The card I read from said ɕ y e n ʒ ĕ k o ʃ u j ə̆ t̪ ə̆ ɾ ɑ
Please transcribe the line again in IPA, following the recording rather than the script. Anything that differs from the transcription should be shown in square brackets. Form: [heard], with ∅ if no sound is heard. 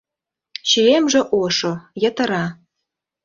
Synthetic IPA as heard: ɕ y e [m] ʒ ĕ [ʔ] o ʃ [o] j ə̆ t̪ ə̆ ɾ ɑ

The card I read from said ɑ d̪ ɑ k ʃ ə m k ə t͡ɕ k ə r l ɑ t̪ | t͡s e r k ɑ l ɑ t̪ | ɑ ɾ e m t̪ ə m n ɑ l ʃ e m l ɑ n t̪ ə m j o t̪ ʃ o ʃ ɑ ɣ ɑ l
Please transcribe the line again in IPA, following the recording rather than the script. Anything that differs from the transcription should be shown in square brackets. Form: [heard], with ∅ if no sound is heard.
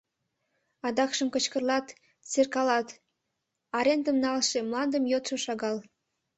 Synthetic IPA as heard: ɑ d̪ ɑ k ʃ ə m k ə t͡ɕ k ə r l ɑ t̪ | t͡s e r k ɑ l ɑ t̪ | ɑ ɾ e [n] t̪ ə m n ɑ l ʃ e m l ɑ n [d̪] ə m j o t̪ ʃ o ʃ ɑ ɣ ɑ l

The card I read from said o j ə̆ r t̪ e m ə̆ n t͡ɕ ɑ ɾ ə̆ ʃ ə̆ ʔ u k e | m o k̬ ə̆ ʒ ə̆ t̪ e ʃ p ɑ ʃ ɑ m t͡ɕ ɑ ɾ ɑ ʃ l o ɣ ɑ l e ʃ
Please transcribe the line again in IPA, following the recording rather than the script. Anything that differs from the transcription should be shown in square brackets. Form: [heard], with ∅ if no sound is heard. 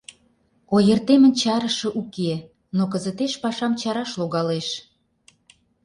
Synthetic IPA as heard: o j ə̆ r t̪ e m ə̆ n t͡ɕ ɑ ɾ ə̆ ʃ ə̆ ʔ u k e | [n] o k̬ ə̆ [z] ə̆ t̪ e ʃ p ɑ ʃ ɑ m t͡ɕ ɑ ɾ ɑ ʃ l o ɣ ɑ l e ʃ

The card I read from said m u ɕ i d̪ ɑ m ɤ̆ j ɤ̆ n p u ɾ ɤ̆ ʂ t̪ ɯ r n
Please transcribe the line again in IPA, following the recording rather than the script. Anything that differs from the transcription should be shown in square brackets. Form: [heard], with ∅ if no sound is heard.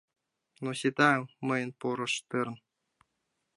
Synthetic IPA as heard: [n] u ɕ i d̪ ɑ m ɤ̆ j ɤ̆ n p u ɾ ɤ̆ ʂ t̪ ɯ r n

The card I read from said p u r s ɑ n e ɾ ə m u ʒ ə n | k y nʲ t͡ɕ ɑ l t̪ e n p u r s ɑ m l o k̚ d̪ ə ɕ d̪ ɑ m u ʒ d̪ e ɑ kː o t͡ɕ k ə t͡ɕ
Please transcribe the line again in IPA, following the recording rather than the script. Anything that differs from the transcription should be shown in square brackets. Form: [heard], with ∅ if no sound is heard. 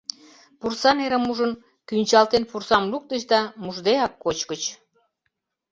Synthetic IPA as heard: p u r s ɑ n e ɾ ə m u ʒ ə n | k y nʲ t͡ɕ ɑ l t̪ e n p u r s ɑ m l [u] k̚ [t̪] ə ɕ d̪ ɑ m u ʒ d̪ e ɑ kː o t͡ɕ k ə t͡ɕ

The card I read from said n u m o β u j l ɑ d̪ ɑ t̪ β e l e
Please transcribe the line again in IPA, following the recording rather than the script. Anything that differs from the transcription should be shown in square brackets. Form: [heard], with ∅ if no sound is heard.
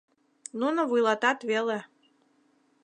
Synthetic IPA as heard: n u [n] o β u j l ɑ [t̪] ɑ t̪ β e l e

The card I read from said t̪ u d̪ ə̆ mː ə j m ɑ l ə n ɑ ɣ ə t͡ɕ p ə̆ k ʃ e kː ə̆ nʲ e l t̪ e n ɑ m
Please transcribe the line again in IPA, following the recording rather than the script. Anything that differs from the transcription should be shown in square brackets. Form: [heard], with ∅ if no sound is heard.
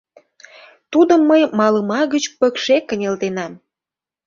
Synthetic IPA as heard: t̪ u d̪ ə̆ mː ə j m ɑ l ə [m] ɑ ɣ ə t͡ɕ p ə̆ k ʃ e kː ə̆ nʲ e l t̪ e n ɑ m

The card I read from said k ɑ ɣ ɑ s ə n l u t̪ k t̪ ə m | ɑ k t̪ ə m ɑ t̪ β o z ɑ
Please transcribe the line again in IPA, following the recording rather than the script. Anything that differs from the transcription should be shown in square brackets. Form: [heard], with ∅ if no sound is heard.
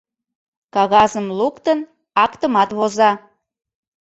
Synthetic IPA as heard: k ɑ ɣ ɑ [z] ə [m] l u [∅] k t̪ ə [n] | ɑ k t̪ ə m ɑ t̪ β o z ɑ

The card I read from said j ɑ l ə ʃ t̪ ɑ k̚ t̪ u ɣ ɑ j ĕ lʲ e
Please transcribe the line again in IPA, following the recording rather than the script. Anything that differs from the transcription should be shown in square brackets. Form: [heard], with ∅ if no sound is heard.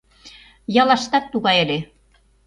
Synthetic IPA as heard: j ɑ l [ɑ] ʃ t̪ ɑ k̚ t̪ u ɣ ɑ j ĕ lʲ e

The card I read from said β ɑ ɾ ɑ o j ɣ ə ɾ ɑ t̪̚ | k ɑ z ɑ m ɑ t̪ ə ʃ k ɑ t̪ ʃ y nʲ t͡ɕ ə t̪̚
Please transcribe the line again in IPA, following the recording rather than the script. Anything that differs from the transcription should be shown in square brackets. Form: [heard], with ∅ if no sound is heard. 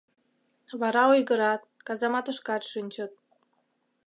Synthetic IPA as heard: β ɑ ɾ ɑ o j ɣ ə ɾ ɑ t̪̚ | k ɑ z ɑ m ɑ t̪ ə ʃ k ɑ t̪ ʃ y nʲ t͡ɕ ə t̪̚

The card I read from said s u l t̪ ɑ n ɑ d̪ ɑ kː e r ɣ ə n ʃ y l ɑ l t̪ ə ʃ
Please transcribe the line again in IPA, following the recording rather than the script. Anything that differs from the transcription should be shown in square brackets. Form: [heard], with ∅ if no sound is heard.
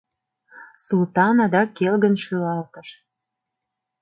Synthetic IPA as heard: s u l t̪ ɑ n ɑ d̪ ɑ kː e [l] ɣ ə n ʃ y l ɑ l t̪ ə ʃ

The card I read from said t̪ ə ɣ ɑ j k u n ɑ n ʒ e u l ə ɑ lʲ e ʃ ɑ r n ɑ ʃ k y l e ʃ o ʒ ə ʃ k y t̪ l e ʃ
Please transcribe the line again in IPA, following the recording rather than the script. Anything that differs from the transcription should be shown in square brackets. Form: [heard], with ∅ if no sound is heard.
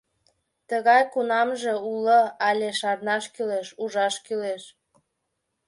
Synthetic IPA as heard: t̪ ə ɣ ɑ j k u n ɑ [m] ʒ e u l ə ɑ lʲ e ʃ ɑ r n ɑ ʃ k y l e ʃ [u] ʒ [ɑ] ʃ k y [∅] l e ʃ

